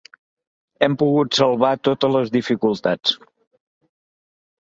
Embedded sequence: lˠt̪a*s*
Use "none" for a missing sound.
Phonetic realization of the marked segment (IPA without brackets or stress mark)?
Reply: t͡s